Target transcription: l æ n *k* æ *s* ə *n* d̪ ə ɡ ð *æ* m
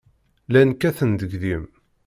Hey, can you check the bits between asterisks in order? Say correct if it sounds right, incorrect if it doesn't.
correct, incorrect, correct, incorrect

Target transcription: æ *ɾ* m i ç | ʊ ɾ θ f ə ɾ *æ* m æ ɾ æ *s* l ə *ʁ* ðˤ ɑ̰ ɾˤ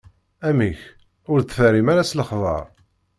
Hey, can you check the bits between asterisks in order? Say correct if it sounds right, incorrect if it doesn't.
incorrect, incorrect, correct, incorrect

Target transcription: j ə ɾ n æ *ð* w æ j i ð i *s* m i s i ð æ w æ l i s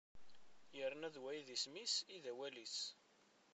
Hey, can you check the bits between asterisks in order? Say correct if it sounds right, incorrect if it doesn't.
correct, correct

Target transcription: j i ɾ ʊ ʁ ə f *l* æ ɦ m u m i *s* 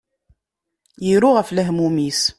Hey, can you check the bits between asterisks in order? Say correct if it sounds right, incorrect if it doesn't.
correct, correct

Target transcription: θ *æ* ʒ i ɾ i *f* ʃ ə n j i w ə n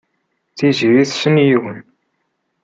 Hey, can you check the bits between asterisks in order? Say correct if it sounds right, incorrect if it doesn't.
incorrect, incorrect

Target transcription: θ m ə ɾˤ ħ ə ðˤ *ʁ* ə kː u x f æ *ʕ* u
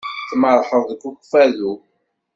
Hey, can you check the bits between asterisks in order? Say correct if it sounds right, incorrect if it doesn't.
incorrect, incorrect

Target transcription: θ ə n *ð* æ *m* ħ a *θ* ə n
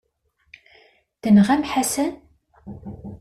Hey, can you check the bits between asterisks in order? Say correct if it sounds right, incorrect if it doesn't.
incorrect, correct, incorrect

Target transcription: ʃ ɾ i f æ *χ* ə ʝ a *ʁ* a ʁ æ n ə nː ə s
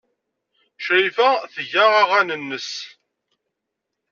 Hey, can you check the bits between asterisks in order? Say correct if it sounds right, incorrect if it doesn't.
incorrect, correct

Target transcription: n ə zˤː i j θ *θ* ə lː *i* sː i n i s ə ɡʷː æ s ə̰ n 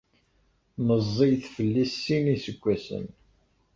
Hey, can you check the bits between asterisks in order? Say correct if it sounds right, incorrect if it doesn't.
incorrect, correct

